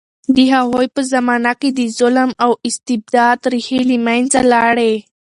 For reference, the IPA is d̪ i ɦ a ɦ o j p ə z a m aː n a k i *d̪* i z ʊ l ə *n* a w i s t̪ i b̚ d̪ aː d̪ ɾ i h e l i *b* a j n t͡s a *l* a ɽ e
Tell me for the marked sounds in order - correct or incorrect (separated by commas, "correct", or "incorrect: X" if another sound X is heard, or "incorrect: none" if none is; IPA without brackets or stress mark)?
correct, incorrect: m, incorrect: m, correct